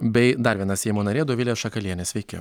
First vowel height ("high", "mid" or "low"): mid